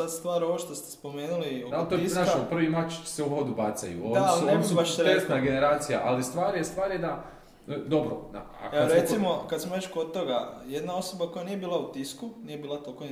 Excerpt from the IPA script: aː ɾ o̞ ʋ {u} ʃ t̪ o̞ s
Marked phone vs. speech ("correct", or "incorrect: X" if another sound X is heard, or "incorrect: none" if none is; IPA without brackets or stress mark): incorrect: o